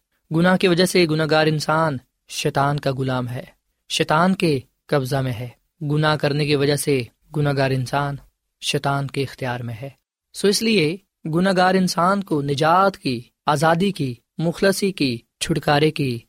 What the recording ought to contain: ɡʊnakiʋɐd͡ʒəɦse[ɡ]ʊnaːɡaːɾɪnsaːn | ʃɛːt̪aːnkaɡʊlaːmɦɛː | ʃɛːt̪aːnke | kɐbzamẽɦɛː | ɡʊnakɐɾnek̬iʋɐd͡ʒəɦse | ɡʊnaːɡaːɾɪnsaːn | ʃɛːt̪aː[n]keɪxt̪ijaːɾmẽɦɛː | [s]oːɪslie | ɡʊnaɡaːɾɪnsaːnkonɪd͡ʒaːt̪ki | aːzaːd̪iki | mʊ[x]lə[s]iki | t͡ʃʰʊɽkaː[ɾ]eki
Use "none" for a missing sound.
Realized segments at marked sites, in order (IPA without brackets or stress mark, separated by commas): ɡ, n, s, x, s, ɾ